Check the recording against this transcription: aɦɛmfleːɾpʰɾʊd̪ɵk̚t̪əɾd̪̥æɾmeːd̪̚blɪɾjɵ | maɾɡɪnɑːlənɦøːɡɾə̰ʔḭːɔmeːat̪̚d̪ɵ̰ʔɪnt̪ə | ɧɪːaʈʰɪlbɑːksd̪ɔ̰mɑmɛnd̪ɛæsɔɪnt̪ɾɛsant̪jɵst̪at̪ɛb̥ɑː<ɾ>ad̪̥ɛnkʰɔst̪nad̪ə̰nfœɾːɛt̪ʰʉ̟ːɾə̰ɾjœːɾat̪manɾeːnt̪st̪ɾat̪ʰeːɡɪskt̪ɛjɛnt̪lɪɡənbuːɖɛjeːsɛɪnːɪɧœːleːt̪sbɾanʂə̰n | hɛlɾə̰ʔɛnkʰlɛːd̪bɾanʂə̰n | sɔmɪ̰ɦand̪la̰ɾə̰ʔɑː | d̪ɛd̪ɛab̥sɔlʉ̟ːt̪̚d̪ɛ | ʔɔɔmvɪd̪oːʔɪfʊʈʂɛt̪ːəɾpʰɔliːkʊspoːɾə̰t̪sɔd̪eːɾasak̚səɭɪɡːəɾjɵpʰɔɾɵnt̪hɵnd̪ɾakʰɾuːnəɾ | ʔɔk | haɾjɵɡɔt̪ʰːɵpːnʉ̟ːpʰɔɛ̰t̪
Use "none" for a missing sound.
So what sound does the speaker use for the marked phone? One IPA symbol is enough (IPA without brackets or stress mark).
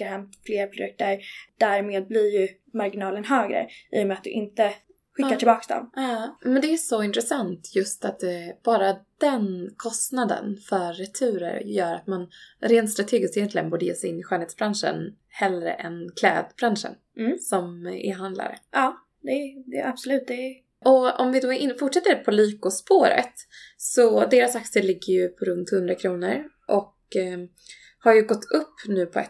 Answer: ɾ